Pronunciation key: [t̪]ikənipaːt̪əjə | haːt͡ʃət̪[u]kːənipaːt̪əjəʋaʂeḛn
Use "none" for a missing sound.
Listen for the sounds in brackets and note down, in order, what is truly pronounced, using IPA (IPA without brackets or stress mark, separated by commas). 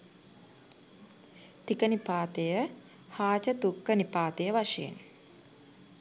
t̪, u